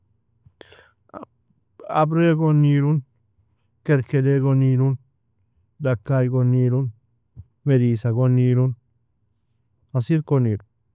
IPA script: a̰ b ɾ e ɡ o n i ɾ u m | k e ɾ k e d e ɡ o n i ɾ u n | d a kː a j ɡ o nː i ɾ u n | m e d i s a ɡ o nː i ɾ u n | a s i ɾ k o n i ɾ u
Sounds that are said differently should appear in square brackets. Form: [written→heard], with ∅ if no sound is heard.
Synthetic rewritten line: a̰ b ɾ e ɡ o n i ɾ u [m→n] | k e ɾ k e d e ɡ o n i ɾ u n | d a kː a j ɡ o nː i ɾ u n | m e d i s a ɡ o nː i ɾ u n | a s i ɾ k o n i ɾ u